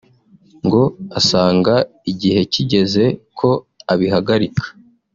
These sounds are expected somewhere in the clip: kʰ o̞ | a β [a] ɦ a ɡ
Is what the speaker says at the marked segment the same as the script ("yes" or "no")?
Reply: no